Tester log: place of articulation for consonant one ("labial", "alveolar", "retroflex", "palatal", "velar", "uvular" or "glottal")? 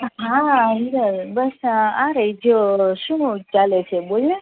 glottal